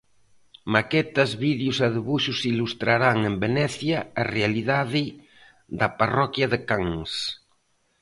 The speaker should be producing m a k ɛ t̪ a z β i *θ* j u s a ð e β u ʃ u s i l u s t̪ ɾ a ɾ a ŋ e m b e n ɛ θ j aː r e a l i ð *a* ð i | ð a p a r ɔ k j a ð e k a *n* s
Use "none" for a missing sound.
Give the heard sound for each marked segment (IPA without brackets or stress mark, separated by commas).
ð, a, ŋ